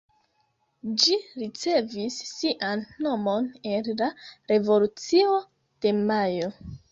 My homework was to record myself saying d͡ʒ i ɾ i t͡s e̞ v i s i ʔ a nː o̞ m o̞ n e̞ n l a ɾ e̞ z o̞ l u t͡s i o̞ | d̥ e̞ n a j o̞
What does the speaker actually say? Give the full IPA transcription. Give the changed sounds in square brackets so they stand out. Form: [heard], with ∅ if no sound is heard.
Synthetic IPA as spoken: d͡ʒ i ɾ i t͡s e̞ v i [sː] i ʔ a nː o̞ m o̞ n e̞ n l a ɾ e̞ [v] o̞ l u t͡s i o̞ | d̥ e̞ [m] a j o̞